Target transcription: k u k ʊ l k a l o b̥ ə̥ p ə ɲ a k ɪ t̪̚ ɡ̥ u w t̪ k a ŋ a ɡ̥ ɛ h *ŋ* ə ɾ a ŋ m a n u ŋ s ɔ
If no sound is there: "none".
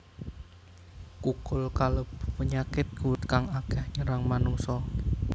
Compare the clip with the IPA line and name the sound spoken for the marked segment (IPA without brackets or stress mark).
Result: ɲ